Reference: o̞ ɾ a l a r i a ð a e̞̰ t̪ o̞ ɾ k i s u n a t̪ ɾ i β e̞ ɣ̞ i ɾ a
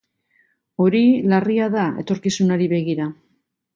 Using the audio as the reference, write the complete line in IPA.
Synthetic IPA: o̞ ɾ i l a r i a ð a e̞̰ t̪ o̞ ɾ k i s u n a ɾ i β e̞ ɣ̞ i ɾ a